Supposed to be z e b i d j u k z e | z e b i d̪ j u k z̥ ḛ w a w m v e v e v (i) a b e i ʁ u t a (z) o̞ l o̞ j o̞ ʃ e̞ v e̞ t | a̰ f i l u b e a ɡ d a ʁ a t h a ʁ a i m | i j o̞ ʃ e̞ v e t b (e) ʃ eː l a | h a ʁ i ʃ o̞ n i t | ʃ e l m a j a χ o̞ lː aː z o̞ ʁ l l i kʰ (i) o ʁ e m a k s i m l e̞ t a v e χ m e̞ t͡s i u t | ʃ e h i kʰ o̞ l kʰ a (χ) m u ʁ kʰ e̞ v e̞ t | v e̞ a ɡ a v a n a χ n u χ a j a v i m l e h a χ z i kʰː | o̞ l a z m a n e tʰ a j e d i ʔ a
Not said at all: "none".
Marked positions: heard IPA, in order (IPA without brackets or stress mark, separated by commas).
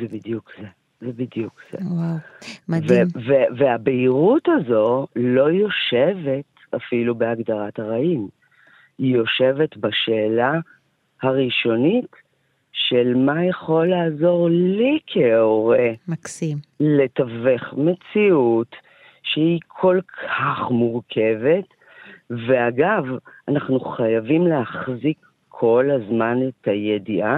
e, z, a, e, χ